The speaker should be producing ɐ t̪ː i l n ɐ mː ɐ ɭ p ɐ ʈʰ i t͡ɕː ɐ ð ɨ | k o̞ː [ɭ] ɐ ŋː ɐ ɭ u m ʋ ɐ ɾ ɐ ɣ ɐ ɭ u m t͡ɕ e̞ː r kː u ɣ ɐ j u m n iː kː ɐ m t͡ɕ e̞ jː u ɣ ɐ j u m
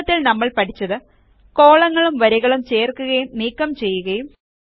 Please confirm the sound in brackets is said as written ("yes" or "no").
yes